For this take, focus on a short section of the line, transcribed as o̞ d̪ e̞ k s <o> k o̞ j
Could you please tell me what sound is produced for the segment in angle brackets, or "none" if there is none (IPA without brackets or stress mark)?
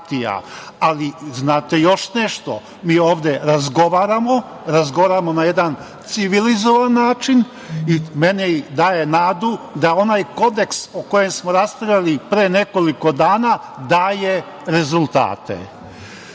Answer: o